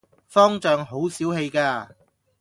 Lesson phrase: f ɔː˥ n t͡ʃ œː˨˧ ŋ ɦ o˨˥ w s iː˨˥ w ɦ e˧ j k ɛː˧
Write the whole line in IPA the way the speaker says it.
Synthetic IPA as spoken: f ɔː˥ ŋ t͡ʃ œː˨˧ ŋ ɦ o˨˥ w s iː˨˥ w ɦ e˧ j k aː˧

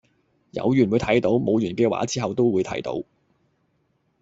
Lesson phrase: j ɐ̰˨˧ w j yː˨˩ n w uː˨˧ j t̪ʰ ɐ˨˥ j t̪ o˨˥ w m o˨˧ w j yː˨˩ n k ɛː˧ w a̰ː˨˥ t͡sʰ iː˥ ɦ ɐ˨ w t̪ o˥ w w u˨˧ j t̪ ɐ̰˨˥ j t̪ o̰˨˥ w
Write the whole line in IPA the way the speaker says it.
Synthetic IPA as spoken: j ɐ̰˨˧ w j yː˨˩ n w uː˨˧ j t̪ʰ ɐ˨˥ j t̪ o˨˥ w m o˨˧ w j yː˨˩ n k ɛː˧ w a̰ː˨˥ t͡s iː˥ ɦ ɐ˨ w t̪ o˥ w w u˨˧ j t̪ʰ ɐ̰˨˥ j t̪ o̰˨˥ w

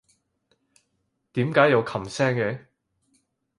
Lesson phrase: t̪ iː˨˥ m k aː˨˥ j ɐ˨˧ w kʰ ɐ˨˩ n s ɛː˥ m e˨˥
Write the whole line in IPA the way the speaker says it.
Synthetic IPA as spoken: t̪ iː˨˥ m k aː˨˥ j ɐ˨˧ w kʰ ɐ˨˩ m s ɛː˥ ŋ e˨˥

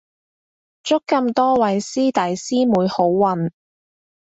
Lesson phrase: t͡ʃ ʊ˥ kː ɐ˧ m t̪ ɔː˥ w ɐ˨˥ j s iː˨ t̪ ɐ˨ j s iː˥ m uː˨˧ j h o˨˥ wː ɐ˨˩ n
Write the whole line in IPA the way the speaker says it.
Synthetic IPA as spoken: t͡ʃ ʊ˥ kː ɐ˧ m t̪ ɔː˥ w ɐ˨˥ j s iː˥ t̪ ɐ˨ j s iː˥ m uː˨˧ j h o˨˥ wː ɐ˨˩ n

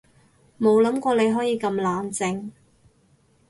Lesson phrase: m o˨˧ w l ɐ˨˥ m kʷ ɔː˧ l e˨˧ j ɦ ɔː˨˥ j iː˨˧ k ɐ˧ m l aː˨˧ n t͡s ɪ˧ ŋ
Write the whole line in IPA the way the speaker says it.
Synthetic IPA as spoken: m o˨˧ w l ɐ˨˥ m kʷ ɔː˧ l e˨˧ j ɦ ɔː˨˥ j iː˨˧ k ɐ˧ m l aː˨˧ n t͡s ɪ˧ ŋ

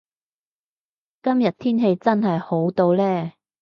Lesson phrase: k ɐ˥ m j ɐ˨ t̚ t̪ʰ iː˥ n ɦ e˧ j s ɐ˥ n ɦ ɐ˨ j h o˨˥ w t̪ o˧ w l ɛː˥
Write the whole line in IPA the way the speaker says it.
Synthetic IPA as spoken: k ɐ˥ m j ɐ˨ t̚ t̪ʰ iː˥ n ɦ e˧ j t͡s ɐ˥ n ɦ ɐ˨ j h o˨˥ w t̪ o˧ w l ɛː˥

